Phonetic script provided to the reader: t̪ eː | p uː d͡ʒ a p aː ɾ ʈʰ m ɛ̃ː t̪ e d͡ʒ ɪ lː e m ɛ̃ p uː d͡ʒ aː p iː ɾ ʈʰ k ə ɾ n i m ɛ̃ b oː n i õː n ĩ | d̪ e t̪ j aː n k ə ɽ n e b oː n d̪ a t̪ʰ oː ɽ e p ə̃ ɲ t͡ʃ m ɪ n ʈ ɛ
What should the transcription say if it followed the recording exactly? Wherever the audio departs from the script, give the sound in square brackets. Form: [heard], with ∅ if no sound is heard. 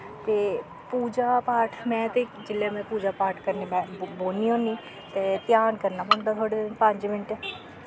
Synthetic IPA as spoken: t̪ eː | p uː d͡ʒ a p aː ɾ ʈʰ m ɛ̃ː t̪ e d͡ʒ ɪ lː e m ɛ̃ p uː d͡ʒ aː p [aː] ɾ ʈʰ k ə ɾ n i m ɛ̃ b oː n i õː n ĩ | [t̪] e t̪ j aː n k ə [ɾ] n [a] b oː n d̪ a t̪ʰ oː ɽ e p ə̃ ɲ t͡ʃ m ɪ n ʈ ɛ